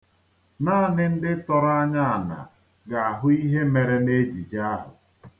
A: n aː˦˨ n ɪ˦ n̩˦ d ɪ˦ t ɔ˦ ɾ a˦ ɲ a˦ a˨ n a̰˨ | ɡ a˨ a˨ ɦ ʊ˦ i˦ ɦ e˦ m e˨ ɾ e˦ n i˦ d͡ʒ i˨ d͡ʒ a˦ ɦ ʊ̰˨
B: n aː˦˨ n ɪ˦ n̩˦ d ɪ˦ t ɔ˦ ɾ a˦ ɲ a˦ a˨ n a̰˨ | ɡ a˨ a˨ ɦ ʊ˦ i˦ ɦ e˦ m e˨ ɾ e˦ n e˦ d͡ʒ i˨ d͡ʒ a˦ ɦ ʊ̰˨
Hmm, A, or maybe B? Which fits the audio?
B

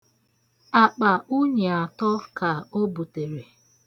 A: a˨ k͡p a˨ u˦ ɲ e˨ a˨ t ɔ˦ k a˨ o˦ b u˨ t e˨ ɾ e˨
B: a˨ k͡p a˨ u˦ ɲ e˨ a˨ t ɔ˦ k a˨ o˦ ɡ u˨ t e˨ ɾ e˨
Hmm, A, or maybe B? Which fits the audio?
A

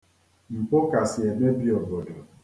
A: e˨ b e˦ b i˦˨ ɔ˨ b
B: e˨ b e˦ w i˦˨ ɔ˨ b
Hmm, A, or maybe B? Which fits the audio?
A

